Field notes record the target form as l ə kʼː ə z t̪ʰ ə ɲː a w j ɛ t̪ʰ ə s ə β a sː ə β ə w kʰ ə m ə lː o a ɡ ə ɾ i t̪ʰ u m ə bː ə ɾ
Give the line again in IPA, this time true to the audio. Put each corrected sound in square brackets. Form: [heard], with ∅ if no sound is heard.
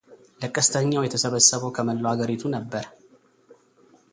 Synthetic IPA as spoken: l ə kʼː ə [s] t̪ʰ ə ɲː a w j ɛ t̪ʰ ə s ə β [ə] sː ə β ə w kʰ ə m ə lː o a ɡ ə ɾ i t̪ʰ u [n] ə bː ə ɾ

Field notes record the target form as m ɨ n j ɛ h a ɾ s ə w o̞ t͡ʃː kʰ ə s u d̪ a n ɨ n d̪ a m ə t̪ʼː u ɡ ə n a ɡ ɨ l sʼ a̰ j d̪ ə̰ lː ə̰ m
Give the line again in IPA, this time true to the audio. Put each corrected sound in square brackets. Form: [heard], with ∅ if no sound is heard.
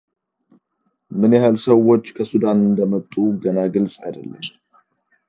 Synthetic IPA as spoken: m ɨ n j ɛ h a [l] s ə w o̞ t͡ʃː kʰ ə s u d̪ a n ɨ n d̪ [ə] m ə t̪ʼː u ɡ ə n a ɡ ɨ l sʼ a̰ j d̪ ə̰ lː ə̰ m

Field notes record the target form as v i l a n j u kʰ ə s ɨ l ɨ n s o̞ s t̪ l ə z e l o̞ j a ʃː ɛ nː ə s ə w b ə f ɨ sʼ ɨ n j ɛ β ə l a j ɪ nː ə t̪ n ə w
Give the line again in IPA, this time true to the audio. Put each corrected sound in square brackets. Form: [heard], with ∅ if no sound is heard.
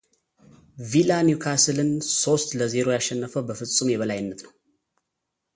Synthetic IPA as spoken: v i l a n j u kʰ [a] s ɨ l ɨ n s o̞ s t̪ l ə z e [ɾ] o̞ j a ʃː ɛ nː ə [f] ə w b ə f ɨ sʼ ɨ [m] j ɛ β ə l a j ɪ nː ə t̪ n ə w

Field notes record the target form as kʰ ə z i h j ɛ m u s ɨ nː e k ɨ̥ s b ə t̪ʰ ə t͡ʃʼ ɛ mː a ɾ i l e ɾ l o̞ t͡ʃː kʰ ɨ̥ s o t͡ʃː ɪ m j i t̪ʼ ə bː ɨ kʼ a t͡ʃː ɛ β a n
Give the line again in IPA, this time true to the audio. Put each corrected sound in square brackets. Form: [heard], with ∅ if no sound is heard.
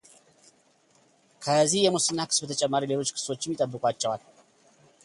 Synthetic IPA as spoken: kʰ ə z i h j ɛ m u s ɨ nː [a] k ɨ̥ s b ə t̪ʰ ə t͡ʃʼ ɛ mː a ɾ i l e [∅] l o̞ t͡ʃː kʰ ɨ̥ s o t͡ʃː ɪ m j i t̪ʼ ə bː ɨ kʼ a t͡ʃː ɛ [w] a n

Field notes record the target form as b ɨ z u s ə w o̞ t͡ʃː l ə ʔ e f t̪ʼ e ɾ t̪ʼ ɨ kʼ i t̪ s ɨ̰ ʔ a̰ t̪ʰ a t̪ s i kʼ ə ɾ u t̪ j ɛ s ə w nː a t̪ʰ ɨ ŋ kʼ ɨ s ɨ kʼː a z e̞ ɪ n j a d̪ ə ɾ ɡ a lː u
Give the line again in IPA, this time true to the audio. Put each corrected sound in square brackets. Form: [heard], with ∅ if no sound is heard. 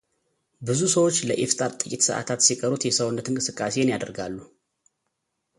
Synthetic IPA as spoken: b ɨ z u s ə w o̞ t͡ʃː l ə ʔ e f t̪ʼ [a] ɾ t̪ʼ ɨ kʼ i t̪ s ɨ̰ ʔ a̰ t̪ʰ a t̪ s i kʼ ə ɾ u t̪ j ɛ s ə w nː [ə] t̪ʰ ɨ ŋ kʼ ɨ s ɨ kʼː a [s] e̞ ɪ n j a d̪ ə ɾ ɡ a lː u

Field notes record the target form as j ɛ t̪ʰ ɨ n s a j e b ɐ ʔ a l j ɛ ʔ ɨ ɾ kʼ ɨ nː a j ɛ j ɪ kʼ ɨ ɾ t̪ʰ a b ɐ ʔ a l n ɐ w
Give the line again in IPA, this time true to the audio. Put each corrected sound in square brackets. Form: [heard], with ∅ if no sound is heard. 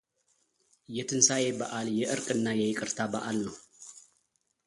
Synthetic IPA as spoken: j ɛ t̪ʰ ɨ n s a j e b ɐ ʔ a l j ɛ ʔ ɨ ɾ kʼ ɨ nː a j ɛ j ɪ kʼ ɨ ɾ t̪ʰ a b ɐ ʔ a l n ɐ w

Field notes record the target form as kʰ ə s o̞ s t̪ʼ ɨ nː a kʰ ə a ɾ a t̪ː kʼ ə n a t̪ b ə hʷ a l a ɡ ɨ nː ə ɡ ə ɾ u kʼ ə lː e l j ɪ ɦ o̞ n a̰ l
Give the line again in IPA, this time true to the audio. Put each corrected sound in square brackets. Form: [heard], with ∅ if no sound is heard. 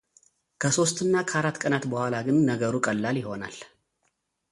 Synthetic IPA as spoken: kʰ ə s o̞ s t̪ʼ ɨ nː a kʰ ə a ɾ a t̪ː kʼ ə n a t̪ b ə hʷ a l a ɡ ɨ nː ə ɡ ə ɾ u kʼ ə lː [a] l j ɪ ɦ o̞ n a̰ l

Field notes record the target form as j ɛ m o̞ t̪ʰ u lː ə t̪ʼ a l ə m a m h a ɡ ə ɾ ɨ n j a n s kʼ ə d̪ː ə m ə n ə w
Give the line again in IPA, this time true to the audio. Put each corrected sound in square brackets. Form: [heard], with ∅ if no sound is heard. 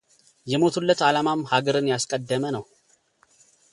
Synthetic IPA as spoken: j ɛ m o̞ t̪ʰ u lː ə [t̪] a l [a] m a m h a ɡ ə ɾ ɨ n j a [∅] s kʼ ə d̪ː ə m ə n ə w

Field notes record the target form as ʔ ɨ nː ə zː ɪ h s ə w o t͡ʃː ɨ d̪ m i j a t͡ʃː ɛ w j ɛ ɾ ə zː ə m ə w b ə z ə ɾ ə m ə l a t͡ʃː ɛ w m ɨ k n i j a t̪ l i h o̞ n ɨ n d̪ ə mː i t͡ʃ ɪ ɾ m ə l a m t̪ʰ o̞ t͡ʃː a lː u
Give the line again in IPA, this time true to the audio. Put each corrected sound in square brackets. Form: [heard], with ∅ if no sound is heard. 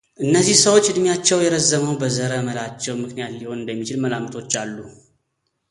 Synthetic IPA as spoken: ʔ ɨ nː ə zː [i] h s ə w o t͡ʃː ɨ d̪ m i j a t͡ʃː ɛ w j ɛ ɾ ə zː ə m ə w b ə z ə ɾ ə m ə l a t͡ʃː ɛ w m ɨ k n i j a t̪ l i h o̞ n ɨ n d̪ ə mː i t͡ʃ ɪ [l] m ə l a m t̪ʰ o̞ t͡ʃː a lː u

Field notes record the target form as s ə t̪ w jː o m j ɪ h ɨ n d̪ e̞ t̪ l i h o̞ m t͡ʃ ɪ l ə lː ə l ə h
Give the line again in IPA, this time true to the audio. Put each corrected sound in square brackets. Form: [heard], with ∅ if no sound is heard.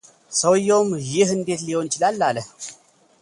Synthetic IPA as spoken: s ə [∅] w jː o m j ɪ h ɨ n d̪ e̞ t̪ l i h o̞ [n] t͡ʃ ɪ l [a] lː [a] l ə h

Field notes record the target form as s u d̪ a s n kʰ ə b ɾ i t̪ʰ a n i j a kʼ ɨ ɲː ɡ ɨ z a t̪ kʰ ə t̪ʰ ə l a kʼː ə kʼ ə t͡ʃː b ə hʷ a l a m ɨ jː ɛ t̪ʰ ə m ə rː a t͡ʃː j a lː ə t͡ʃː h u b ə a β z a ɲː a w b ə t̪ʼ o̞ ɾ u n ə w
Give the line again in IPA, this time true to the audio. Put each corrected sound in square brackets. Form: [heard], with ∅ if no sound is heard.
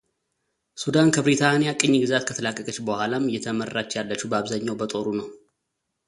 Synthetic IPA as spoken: s u d̪ a [∅] n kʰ ə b ɾ i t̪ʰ a n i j a kʼ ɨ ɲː ɡ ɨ z a t̪ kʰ ə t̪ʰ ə l a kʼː ə kʼ ə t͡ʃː b ə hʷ a l a m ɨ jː ɛ t̪ʰ ə m ə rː a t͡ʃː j a lː ə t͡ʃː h u b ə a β z a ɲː a w b ə t̪ʼ o̞ ɾ u n ə w

